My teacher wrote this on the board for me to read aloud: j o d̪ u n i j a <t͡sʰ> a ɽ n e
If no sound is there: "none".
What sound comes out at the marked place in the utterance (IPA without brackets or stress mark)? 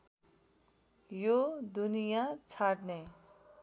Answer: t͡sʰ